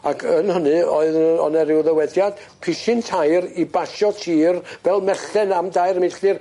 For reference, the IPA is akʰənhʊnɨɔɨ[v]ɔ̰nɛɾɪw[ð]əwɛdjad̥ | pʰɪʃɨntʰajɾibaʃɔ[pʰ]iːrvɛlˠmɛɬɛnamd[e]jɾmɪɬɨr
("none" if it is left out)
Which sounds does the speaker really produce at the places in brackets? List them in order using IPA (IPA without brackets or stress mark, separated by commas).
ð, ð, tʰ, a